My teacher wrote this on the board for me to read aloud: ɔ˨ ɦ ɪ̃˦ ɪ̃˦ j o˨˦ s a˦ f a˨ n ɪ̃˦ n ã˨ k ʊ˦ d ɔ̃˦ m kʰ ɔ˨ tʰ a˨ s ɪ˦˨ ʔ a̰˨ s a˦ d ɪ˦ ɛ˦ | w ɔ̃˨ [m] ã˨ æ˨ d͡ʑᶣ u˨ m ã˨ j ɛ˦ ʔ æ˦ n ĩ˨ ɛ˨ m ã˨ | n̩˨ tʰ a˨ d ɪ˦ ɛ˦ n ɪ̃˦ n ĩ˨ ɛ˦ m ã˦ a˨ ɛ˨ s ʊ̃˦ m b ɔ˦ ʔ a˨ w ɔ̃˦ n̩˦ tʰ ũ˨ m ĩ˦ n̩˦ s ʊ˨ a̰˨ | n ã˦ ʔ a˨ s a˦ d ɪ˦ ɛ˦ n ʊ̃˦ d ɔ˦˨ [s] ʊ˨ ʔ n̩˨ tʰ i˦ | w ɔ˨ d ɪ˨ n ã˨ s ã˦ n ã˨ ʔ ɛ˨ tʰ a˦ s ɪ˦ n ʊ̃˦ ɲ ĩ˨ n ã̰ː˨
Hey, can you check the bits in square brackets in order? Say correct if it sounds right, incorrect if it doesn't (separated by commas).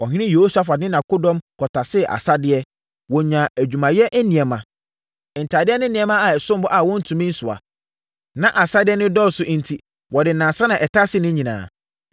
incorrect, correct